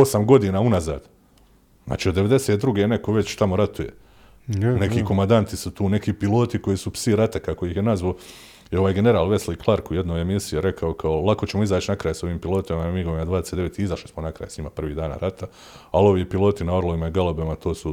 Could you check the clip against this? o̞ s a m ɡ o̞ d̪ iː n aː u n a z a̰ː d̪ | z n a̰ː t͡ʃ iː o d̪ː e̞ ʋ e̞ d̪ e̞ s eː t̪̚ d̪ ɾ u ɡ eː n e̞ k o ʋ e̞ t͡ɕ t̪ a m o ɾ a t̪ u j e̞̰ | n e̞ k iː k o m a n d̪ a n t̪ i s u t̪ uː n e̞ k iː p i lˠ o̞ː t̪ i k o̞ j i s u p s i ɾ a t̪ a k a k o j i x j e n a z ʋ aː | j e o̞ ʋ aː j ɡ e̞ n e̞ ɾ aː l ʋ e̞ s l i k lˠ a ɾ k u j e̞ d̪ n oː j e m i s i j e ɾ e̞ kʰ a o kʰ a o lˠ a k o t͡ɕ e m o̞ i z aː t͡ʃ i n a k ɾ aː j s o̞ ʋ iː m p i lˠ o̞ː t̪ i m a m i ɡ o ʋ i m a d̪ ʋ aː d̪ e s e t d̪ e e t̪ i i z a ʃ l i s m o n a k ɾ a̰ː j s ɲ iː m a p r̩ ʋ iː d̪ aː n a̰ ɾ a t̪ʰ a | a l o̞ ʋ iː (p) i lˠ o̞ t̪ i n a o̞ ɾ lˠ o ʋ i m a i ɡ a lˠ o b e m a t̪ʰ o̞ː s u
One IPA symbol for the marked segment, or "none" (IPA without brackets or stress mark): p